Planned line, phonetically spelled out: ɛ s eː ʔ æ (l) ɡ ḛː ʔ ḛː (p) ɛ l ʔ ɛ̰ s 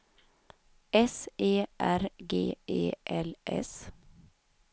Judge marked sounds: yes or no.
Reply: no, no

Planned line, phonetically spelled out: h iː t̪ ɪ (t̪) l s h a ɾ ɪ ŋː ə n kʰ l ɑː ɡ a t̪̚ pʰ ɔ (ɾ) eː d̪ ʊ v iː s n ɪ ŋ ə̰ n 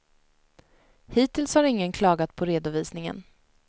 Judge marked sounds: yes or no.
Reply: no, yes

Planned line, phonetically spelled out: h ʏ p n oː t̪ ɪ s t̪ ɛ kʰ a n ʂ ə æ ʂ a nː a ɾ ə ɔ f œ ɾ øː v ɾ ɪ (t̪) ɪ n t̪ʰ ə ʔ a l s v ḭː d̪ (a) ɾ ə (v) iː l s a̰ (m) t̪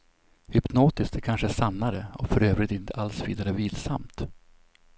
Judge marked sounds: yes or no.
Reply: yes, yes, yes, yes

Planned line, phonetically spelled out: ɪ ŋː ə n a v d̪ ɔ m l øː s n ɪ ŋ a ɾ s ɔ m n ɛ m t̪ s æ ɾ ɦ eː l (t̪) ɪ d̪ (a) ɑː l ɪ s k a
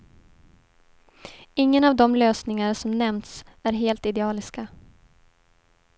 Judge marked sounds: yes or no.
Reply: yes, no

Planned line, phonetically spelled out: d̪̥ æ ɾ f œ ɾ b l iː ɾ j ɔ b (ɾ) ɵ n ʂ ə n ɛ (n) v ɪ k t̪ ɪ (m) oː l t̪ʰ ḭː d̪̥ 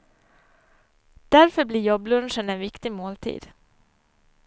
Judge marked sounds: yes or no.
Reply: no, yes, yes

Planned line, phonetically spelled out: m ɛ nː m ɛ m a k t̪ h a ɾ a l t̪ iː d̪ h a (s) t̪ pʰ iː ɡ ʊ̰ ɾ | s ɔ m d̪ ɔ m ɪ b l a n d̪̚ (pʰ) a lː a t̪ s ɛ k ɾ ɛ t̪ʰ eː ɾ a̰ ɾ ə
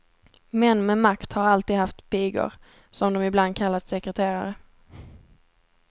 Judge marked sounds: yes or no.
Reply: no, no

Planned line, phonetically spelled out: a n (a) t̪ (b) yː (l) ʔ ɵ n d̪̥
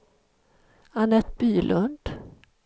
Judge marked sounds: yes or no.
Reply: no, yes, yes

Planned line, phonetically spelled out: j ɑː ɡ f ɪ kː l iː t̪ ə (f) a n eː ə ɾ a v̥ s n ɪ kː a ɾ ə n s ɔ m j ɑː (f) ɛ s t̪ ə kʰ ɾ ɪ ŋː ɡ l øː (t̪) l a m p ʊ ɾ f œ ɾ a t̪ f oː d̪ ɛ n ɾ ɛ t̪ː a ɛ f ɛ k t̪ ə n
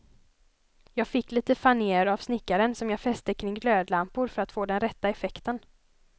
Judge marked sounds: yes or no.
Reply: yes, yes, no

